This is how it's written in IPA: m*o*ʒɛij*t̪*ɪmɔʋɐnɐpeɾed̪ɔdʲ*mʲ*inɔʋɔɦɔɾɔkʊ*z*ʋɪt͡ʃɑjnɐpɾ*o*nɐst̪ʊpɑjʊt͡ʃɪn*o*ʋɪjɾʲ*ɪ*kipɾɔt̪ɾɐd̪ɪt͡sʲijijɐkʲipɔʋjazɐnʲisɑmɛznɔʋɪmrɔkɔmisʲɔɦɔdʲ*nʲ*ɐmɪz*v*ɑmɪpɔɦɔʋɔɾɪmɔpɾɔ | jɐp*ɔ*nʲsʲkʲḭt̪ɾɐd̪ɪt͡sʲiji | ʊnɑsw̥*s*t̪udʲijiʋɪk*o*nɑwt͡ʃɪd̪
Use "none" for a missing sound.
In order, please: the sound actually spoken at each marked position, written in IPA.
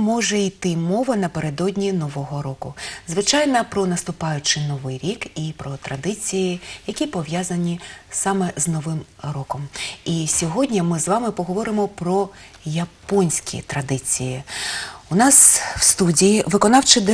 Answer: ɔ, t̪, nʲ, z, ɔ, ɔ, i, nʲ, ʋ, ɔ, s, ɔ

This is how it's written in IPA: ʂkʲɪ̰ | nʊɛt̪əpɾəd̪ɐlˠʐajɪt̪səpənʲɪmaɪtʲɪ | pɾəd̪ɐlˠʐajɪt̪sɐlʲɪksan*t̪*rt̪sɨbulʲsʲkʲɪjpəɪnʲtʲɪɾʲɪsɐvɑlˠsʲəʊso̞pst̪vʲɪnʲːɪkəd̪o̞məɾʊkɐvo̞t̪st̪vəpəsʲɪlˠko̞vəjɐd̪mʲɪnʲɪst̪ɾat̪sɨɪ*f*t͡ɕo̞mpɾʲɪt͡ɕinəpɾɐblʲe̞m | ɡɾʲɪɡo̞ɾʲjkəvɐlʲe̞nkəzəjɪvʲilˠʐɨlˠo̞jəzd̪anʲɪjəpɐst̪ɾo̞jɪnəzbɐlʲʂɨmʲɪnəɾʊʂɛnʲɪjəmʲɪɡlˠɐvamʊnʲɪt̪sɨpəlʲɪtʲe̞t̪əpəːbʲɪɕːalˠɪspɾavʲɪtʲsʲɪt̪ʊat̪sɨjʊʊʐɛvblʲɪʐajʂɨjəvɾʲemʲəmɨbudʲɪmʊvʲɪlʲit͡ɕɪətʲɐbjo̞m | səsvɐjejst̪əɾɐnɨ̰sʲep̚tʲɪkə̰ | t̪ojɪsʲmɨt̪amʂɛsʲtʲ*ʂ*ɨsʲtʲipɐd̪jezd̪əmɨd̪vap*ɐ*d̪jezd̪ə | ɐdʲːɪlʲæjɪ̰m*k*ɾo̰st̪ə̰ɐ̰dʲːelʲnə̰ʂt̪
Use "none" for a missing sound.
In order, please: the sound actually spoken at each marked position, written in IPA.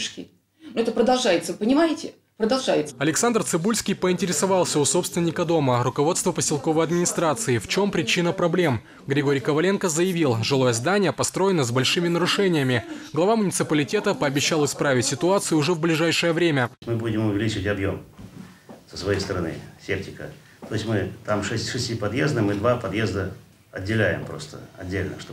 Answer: d̪, f, ʂ, ɐ, p

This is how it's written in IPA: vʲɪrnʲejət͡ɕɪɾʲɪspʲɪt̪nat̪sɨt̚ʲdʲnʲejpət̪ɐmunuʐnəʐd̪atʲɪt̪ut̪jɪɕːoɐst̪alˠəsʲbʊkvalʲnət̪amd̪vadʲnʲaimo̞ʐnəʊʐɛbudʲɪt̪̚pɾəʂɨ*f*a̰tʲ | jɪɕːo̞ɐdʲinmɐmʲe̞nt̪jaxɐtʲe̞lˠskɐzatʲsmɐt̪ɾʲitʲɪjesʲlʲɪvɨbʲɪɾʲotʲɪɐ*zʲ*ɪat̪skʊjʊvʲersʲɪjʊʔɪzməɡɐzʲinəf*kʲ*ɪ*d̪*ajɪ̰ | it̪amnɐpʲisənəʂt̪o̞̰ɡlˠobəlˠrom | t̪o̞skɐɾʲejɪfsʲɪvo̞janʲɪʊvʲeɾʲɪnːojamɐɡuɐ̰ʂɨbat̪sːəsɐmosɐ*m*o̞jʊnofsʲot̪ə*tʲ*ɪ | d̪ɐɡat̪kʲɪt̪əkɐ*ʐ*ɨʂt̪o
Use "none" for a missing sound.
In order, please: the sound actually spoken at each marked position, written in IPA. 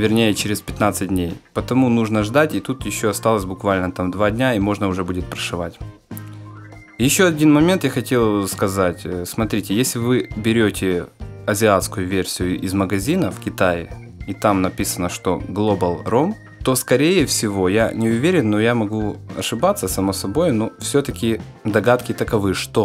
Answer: v, zʲ, kʲ, t̪, b, kʲ, v

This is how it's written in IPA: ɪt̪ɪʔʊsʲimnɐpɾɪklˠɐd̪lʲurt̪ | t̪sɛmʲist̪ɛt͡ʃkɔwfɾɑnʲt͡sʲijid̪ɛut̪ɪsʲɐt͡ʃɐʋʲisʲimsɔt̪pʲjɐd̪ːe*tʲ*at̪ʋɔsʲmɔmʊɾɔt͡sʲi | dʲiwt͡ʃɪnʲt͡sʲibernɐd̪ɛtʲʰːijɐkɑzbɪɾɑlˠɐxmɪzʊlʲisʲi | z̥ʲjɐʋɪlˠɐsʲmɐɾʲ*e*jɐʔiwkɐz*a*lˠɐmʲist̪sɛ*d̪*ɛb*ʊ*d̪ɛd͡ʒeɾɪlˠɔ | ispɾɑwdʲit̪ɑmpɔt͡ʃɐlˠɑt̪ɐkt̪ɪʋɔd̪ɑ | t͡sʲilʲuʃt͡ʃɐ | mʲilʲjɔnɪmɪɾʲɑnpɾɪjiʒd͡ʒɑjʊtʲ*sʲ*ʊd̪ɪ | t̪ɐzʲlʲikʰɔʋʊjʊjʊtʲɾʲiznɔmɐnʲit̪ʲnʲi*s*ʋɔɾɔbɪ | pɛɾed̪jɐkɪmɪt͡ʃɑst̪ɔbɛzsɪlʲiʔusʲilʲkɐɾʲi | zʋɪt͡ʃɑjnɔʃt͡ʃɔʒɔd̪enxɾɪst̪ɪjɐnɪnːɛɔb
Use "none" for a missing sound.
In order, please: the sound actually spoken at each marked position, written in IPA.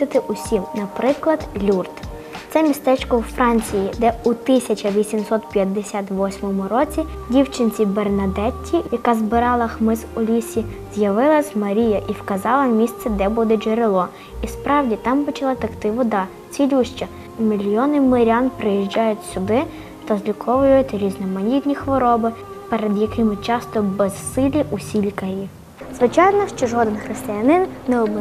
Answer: sʲ, i, ɑ, d̪, u, sʲ, x

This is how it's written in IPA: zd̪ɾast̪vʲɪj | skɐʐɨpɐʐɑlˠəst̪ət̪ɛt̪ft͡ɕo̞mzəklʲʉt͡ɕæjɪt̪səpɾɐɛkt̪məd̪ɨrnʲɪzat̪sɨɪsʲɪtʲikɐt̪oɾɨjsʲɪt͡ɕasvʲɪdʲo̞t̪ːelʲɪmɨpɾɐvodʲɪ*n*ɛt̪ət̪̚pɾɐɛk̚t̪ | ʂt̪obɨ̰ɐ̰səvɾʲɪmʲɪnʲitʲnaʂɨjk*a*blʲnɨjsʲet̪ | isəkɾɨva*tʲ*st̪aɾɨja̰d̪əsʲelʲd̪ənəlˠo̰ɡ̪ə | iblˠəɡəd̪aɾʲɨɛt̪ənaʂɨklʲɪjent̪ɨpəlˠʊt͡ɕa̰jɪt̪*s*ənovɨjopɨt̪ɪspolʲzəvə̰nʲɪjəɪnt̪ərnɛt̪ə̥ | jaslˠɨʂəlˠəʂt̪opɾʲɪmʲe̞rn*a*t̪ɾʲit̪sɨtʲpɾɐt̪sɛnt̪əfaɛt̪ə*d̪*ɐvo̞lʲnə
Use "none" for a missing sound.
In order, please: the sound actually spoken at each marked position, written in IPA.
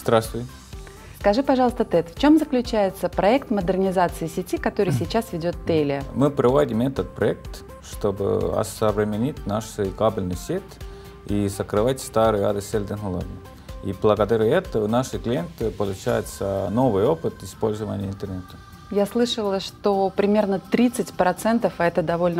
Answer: m, a, tʲ, s, ə, d̪

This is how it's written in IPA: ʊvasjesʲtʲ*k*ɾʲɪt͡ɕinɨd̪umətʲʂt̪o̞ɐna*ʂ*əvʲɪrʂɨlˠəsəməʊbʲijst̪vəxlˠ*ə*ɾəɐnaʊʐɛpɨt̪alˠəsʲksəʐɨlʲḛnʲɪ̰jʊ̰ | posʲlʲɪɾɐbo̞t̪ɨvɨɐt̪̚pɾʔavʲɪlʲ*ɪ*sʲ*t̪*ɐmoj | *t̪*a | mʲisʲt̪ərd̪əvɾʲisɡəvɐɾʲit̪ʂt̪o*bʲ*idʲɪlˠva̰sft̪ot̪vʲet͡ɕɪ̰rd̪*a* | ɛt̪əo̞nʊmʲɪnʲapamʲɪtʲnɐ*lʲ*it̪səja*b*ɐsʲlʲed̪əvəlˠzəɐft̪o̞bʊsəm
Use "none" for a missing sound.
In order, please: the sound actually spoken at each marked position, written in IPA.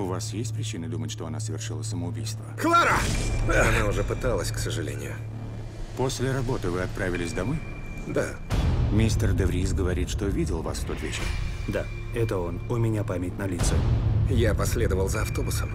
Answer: p, s, a, ɪ, d̪, d̪, vʲ, a, lʲ, p

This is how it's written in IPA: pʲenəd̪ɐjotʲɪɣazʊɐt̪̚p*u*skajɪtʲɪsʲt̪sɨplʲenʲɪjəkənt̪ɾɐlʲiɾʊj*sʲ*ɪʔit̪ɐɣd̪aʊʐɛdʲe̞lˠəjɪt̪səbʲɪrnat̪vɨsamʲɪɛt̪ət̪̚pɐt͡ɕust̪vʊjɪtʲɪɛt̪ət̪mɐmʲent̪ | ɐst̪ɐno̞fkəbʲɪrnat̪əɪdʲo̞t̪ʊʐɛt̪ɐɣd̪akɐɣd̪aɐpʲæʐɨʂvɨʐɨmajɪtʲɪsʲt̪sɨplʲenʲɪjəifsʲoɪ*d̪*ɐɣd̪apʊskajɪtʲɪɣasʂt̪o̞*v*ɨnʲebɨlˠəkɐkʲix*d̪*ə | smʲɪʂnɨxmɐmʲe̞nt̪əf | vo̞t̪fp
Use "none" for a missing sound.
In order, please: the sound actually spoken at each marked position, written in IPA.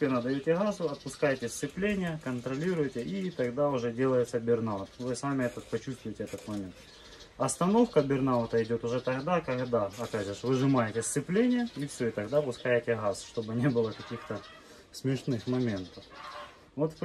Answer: ʊ, tʲ, t̪, b, t̪

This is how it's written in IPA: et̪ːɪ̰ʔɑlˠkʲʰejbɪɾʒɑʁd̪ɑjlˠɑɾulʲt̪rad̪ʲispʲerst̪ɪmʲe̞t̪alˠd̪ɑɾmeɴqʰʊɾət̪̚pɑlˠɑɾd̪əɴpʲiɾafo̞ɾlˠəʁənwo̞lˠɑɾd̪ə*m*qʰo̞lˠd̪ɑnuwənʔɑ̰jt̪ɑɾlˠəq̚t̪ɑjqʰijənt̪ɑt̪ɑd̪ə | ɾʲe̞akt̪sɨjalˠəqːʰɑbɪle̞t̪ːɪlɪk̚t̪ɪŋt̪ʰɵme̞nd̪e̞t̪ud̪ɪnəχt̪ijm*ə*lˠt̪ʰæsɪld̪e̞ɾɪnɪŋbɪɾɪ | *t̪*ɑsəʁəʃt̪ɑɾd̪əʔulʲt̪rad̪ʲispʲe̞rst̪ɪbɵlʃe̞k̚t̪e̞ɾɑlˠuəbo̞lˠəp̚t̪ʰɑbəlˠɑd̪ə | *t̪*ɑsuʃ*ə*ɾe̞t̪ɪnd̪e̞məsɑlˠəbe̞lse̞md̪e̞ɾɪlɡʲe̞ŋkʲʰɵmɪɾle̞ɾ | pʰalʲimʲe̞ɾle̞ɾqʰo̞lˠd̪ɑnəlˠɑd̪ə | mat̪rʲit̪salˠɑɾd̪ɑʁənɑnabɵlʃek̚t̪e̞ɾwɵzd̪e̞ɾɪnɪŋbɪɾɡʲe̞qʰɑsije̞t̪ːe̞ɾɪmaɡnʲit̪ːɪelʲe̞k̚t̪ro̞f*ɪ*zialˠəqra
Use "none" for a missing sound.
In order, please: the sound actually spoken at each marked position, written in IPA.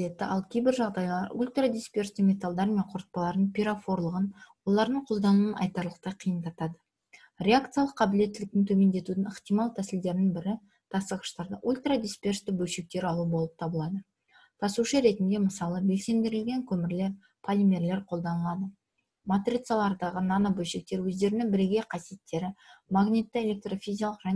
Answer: ɴ, ɑ, t̪ʰ, t̪ʰ, ə, i

